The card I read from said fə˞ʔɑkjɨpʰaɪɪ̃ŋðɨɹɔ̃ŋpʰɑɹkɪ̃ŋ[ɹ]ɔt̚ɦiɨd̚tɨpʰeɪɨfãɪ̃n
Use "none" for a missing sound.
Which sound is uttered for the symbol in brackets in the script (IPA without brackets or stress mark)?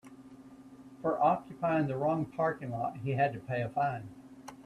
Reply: l